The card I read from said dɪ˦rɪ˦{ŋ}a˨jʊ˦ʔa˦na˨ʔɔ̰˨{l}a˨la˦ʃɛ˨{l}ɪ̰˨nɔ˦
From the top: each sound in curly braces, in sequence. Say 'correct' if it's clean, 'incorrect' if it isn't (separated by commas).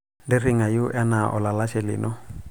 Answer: correct, correct, correct